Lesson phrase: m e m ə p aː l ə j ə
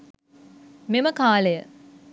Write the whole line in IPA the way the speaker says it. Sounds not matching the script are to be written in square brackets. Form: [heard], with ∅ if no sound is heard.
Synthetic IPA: m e m ə [k] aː l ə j ə

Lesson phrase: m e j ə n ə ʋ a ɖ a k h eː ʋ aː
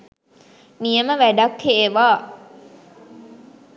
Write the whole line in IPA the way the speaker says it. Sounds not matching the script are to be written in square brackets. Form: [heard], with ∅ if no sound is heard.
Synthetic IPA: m [i] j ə [m] ə ʋ [æ] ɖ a k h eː ʋ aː

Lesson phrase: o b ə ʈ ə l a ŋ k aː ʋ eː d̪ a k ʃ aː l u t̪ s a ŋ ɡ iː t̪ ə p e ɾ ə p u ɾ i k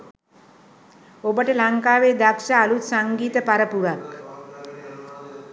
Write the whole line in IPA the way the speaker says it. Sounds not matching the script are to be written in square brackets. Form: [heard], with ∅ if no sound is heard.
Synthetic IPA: o b ə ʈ ə l a ŋ k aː ʋ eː d̪ a k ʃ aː l u t̪ s a ŋ ɡ iː t̪ ə p [a] ɾ ə p u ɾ [a] k

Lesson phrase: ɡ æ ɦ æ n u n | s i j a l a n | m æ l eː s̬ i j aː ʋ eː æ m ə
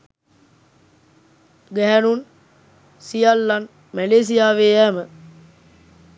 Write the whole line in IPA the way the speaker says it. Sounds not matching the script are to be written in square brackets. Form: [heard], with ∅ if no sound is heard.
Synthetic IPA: ɡ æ ɦ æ n u n | s i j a [lː] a n | m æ l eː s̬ i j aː ʋ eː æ m ə

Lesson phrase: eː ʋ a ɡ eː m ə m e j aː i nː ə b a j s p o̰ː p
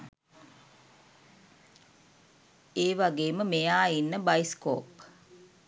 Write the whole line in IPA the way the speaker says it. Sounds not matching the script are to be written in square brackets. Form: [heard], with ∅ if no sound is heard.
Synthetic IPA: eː ʋ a ɡ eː m ə m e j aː i nː ə b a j s [k] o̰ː p

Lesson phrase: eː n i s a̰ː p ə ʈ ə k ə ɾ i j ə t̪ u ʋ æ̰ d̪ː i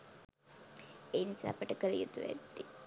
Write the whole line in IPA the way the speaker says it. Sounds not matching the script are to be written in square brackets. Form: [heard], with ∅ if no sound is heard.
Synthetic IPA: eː n i s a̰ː p ə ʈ ə k ə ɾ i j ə t̪ u ʋ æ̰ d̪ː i

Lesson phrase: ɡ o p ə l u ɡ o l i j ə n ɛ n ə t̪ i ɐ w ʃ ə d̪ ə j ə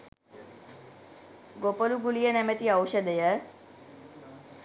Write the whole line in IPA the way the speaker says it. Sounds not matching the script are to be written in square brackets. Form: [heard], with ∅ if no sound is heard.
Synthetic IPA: ɡ o p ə l u ɡ [u] l i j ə n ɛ [m] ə t̪ i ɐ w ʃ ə d̪ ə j ə

